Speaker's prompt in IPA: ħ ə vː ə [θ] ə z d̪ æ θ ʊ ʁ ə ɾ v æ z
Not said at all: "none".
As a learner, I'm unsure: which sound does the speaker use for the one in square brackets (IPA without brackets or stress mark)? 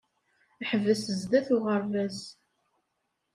s